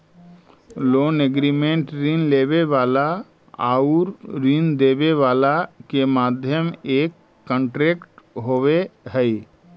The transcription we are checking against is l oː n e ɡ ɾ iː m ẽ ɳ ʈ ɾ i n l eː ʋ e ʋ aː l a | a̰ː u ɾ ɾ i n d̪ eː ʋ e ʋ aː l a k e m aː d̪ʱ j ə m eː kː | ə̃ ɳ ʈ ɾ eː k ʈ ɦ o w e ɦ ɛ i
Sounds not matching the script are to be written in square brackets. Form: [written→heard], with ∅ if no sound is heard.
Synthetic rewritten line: l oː n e ɡ ɾ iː m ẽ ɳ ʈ ɾ i n l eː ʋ e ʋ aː l a | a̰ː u ɾ ɾ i n d̪ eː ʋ e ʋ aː l a k e m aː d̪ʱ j ə m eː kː | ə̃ ɳ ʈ ɾ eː k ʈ ɦ o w e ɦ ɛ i